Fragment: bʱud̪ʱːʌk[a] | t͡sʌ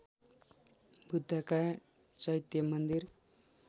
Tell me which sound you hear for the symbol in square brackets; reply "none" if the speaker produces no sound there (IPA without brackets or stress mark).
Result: a